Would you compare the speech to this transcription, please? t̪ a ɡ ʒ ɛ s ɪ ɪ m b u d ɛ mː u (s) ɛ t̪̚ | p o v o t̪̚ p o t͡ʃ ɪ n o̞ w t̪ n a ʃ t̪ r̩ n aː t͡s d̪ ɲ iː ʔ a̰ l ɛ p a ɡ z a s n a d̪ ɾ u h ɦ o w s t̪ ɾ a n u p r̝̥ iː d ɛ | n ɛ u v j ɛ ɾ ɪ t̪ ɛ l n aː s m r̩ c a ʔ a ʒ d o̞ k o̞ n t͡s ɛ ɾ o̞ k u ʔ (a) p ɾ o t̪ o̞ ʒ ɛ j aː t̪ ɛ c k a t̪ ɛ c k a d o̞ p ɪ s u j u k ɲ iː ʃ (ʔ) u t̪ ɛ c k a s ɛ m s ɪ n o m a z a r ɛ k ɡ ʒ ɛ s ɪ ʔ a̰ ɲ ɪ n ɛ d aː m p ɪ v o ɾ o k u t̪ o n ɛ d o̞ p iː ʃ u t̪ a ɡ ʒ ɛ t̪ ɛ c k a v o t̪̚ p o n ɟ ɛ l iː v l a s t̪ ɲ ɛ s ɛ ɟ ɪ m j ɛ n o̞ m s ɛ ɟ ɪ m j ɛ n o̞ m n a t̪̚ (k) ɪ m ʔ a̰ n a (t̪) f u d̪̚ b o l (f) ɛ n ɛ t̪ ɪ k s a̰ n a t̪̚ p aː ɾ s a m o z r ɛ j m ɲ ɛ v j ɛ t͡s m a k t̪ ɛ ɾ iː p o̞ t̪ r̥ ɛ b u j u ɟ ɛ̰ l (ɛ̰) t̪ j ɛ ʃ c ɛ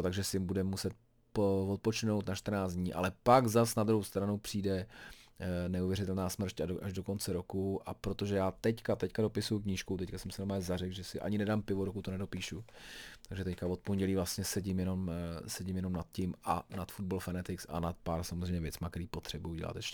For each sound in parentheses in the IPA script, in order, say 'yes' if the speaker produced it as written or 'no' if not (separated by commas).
yes, yes, no, no, yes, yes, no